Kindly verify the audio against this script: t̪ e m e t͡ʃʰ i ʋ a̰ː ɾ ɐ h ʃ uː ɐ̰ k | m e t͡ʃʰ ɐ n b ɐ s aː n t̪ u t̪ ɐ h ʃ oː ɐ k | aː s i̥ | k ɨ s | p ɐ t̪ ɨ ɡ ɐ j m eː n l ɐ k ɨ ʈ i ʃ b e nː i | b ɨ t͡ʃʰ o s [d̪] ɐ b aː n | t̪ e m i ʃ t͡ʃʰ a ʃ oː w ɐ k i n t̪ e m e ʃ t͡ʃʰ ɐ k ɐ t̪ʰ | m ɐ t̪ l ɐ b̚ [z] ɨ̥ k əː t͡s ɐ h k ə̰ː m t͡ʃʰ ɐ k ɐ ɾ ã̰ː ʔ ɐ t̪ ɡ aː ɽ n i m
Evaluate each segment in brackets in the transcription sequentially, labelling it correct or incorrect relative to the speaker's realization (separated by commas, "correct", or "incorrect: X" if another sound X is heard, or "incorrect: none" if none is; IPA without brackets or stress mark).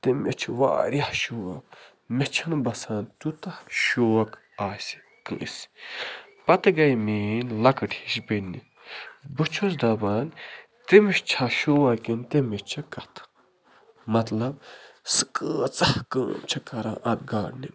correct, incorrect: s